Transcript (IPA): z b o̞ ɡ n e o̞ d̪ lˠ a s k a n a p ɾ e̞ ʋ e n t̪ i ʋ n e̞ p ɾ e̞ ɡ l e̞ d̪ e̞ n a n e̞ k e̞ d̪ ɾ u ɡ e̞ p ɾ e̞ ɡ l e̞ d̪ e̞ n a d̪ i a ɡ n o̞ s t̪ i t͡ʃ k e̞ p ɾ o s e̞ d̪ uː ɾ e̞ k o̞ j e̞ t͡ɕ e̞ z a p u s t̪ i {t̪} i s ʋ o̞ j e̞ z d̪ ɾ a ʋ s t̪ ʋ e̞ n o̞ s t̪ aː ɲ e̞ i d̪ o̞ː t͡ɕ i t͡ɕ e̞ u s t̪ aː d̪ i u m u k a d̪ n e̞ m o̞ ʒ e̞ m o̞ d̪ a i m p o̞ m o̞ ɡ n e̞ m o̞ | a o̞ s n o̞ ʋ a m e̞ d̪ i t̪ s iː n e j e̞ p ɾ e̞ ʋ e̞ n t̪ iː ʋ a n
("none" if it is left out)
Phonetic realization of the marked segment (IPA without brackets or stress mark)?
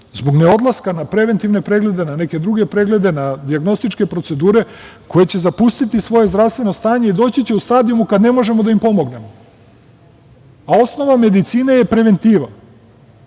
t̪